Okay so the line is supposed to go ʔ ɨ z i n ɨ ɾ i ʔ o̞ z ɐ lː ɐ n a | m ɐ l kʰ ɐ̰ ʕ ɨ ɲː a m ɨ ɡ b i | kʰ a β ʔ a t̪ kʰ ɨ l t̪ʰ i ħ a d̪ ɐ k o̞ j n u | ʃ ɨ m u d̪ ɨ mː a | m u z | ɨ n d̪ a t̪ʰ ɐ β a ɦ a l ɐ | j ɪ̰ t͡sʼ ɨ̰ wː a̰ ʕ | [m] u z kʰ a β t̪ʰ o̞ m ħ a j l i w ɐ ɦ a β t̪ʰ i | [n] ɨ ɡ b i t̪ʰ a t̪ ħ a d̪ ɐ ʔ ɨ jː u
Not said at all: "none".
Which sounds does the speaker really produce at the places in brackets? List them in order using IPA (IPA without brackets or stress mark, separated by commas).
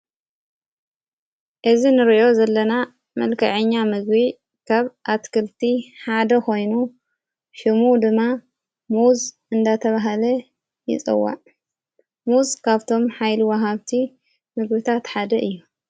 m, m